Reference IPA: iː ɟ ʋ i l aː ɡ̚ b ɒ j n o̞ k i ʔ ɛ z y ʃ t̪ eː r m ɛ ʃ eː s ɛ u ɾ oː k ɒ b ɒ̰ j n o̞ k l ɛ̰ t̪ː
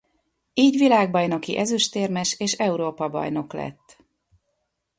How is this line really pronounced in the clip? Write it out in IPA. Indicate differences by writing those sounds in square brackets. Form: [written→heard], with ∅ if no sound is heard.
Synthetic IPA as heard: iː ɟ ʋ i l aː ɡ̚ b ɒ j n o̞ k i ʔ ɛ z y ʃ t̪ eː r m ɛ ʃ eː [s→ʃ] ɛ u ɾ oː [k→p] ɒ b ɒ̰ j n o̞ k l ɛ̰ t̪ː